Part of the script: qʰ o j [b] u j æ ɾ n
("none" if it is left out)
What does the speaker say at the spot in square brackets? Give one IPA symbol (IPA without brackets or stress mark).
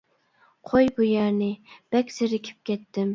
b